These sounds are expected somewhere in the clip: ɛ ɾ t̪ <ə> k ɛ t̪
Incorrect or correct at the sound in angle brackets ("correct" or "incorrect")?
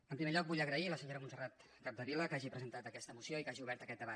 correct